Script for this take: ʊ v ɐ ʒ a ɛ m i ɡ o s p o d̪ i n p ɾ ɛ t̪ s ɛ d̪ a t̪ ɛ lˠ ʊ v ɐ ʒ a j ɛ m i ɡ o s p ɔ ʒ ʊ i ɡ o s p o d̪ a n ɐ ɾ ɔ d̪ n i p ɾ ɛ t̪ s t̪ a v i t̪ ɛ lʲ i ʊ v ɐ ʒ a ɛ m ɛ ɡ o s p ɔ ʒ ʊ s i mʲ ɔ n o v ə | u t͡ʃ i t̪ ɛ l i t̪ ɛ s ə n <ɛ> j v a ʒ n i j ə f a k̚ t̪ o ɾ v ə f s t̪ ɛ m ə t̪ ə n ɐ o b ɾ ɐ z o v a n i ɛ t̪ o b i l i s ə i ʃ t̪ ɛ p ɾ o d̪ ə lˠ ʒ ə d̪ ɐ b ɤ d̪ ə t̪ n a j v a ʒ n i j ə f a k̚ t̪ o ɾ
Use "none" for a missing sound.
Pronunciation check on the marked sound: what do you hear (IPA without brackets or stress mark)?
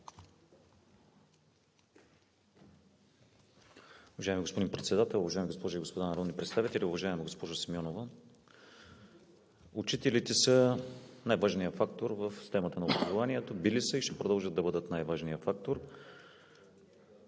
a